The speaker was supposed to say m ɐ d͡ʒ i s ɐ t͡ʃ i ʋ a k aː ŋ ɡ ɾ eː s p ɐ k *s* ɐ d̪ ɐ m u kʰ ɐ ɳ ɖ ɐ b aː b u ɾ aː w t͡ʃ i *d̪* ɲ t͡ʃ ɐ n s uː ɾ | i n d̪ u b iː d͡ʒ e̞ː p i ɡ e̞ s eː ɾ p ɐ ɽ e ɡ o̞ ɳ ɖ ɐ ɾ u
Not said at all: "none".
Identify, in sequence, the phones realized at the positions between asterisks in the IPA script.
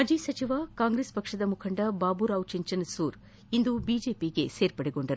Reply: ʂ, none

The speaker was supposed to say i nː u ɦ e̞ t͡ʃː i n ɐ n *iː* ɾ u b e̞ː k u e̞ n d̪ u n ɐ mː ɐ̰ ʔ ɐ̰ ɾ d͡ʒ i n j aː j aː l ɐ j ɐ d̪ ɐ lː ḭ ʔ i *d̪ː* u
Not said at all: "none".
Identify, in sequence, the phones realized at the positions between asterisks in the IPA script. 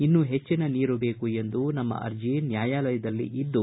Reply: iː, d̪ː

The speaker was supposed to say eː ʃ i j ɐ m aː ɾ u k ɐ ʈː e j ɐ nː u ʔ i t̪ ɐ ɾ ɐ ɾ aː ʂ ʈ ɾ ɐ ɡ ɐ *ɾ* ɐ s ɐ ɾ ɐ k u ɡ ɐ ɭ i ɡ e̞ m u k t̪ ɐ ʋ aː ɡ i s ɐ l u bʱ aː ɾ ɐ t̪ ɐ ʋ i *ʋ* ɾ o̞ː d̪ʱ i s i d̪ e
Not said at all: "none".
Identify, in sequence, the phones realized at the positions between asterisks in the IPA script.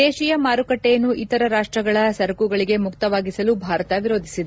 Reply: ɭ, none

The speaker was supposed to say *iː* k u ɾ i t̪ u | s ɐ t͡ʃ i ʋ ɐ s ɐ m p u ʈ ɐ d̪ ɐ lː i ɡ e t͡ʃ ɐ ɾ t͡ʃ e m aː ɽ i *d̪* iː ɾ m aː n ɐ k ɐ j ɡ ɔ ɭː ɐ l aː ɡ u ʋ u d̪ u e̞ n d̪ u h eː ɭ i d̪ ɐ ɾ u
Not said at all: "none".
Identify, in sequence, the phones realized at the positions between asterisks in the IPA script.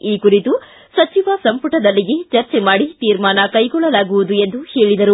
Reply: iː, t̪

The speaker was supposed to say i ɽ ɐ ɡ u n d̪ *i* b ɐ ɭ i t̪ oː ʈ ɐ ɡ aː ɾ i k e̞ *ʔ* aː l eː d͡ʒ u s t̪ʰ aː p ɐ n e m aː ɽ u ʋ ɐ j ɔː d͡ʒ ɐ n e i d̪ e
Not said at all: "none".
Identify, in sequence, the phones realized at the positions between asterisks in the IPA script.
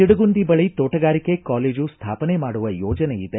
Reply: i, k

